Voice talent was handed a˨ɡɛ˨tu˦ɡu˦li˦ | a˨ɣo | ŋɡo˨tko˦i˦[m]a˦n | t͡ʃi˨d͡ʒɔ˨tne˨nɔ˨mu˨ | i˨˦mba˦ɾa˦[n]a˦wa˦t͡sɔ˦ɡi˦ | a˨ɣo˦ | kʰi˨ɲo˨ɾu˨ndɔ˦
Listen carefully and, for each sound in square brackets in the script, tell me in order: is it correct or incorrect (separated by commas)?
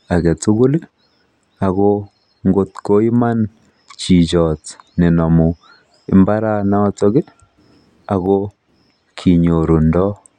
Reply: correct, correct